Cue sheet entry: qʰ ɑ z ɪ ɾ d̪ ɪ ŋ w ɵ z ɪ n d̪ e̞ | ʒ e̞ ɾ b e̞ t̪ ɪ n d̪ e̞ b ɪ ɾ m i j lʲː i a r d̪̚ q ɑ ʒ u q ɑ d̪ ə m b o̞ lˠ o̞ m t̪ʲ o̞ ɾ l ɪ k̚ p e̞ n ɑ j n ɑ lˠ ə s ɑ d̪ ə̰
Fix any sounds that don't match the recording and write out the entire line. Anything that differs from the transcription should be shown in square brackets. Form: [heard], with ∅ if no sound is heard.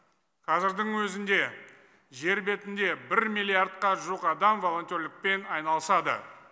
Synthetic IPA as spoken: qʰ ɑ z ɪ ɾ d̪ ɪ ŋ w ɵ z ɪ n d̪ e̞ | ʒ e̞ ɾ b e̞ t̪ ɪ n d̪ e̞ b ɪ ɾ m i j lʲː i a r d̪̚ q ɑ ʒ u q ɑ d̪ [ɑ] m [v] o̞ lˠ o̞ [n] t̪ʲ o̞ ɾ l ɪ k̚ p e̞ n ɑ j n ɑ lˠ ə s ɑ d̪ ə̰